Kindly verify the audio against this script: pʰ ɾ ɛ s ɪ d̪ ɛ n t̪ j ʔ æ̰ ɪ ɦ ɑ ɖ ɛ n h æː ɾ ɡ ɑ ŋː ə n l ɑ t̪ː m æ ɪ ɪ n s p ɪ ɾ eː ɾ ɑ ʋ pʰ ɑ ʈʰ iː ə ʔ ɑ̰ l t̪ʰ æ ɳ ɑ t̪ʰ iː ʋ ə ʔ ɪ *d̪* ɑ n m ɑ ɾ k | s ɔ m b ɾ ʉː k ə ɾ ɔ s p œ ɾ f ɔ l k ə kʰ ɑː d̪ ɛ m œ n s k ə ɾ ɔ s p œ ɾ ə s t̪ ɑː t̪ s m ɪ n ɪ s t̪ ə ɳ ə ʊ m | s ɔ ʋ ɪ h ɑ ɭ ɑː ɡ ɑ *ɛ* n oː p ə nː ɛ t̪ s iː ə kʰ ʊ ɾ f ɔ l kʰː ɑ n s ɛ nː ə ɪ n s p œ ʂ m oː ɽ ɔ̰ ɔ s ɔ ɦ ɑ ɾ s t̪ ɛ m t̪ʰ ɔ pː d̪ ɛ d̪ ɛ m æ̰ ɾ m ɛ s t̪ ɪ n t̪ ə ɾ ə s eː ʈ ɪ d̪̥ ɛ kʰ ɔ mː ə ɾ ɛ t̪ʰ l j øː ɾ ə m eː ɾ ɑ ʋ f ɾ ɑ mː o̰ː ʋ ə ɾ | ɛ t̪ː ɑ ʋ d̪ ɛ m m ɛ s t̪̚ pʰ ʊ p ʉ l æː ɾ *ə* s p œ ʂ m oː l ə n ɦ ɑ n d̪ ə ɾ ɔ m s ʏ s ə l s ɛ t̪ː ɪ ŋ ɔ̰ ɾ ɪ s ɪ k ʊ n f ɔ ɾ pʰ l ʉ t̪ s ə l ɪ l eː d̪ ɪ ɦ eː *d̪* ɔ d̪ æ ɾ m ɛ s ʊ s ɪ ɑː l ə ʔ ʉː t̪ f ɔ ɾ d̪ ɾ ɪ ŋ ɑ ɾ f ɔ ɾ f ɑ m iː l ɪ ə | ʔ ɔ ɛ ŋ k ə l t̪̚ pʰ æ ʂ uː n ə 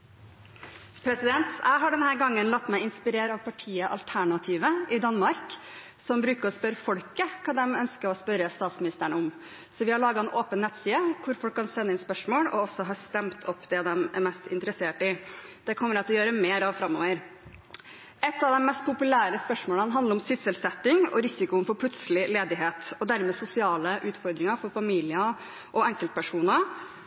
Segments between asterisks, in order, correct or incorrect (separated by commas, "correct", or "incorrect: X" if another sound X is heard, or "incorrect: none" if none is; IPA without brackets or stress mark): correct, correct, correct, incorrect: t̪